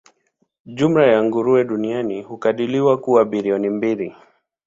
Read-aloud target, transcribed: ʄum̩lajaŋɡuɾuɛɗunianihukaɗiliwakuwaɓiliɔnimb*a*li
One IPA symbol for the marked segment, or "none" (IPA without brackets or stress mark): i